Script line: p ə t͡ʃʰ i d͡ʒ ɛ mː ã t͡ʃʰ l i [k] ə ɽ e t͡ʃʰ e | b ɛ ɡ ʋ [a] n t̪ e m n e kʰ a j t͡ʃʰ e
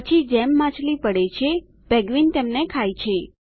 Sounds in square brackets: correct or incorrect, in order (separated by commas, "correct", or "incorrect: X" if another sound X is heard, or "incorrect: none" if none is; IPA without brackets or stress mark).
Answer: incorrect: p, incorrect: i